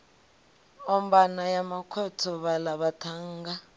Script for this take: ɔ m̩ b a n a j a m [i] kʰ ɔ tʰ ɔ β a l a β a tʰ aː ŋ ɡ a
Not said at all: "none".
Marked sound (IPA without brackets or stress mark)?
a